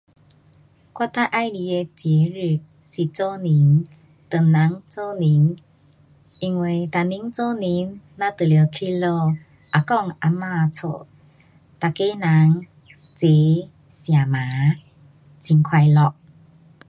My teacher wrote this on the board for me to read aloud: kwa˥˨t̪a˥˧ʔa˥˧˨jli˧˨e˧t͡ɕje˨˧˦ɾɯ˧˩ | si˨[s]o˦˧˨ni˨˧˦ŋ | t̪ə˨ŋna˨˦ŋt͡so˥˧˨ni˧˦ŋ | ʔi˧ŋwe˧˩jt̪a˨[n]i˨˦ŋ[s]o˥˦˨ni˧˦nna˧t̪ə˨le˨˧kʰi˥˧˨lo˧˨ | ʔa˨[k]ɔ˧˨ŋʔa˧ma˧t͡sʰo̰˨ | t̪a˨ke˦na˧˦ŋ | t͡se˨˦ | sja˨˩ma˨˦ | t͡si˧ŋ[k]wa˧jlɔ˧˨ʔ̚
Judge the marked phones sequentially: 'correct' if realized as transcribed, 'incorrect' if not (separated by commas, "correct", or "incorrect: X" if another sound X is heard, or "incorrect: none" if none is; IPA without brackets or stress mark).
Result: incorrect: t͡s, correct, incorrect: t͡s, correct, incorrect: kʰ